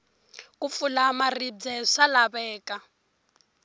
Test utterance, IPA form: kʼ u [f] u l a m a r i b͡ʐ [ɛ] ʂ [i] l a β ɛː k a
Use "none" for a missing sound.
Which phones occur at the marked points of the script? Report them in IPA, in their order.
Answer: f, ɛ, a

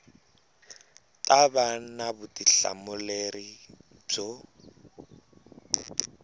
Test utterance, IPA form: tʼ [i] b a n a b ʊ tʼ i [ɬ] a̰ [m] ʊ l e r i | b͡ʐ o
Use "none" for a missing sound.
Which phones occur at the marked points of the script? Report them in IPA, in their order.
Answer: a, ɬ, m

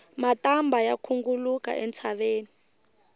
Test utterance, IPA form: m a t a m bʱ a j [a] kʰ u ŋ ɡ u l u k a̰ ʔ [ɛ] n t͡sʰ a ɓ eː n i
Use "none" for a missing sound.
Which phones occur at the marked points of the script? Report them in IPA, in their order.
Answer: a, ɛ

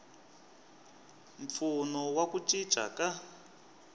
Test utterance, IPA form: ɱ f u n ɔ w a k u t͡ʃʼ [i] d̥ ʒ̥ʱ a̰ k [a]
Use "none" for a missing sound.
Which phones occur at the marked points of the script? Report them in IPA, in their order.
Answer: i, a

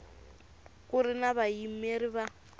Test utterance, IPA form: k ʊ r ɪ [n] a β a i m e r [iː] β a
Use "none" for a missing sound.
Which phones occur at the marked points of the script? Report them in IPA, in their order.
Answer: n, i

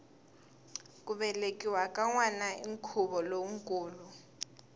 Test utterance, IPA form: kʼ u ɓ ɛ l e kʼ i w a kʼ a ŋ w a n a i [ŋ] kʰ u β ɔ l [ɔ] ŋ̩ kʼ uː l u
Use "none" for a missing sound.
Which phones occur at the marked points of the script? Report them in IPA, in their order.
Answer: ŋ, o

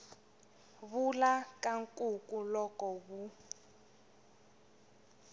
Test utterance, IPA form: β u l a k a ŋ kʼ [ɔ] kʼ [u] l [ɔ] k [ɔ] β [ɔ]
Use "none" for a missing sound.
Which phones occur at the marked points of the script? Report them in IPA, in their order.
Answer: u, u, ɔ, ɔ, u

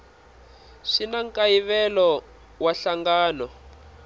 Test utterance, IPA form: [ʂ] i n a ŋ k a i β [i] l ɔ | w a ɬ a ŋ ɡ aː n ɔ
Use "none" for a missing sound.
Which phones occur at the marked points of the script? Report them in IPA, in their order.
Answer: ʂ, ɛ

